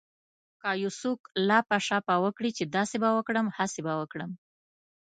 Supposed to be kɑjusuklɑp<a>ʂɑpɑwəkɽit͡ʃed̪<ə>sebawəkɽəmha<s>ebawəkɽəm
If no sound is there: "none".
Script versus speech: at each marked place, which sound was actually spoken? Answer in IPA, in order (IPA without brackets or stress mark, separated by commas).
a, ɑ, s